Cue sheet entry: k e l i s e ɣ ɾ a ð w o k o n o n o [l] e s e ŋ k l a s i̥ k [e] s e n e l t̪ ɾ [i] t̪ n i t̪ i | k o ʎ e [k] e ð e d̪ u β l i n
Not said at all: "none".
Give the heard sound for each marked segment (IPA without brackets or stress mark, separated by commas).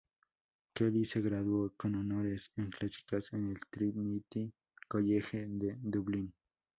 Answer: ɾ, a, i, x